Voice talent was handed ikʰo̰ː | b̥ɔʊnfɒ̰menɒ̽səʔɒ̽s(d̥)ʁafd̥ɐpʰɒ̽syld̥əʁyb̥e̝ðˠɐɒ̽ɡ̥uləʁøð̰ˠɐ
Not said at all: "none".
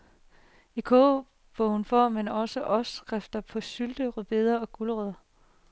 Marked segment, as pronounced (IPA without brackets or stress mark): ɡ̥